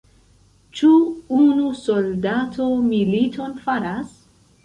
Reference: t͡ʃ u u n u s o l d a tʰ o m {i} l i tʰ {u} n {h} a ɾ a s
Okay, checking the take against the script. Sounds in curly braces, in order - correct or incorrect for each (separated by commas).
correct, incorrect, incorrect